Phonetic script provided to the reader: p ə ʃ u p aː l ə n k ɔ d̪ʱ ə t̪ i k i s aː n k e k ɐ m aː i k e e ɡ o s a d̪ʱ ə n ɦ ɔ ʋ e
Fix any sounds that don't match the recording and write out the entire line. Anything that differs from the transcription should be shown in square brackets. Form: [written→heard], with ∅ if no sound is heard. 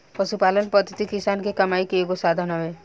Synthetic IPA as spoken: p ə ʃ u p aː l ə n [k→p] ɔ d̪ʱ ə t̪ i k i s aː n k e k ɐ m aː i k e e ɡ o s a d̪ʱ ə n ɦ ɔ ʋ e